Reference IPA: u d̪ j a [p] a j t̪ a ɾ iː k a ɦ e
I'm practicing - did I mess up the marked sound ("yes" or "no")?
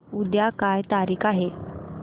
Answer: yes